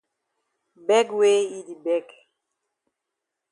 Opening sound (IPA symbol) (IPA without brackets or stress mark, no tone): b